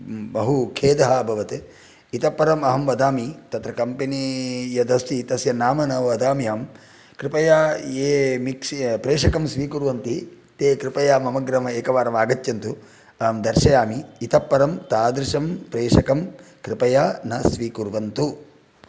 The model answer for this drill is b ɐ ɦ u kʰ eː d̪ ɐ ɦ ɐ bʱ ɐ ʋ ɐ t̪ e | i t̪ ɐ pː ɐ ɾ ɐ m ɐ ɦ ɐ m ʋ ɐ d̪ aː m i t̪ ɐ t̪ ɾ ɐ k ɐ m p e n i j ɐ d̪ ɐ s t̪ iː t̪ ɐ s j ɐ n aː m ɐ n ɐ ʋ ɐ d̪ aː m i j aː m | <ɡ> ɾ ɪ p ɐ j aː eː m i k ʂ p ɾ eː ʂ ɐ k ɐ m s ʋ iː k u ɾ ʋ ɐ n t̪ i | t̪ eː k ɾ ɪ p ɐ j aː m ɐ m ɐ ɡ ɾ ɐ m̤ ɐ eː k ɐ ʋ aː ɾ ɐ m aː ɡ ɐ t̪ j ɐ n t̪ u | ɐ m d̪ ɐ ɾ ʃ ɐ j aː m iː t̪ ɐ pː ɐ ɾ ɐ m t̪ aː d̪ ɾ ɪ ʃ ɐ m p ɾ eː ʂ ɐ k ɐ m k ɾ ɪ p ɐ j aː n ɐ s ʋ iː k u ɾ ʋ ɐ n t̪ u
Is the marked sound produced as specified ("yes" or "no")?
no